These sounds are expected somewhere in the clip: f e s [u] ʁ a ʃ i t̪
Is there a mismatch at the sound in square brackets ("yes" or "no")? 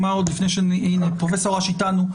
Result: yes